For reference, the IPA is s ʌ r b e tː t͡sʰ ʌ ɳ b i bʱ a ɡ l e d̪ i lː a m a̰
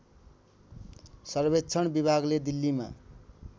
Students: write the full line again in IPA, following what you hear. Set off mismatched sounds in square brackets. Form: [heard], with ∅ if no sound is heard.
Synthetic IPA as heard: s ʌ r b e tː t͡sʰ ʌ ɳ b i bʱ a ɡ l e d̪ i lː [i] m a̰